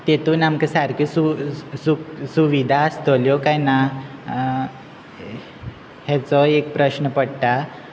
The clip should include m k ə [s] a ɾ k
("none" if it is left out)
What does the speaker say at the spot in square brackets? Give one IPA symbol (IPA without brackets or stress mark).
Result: s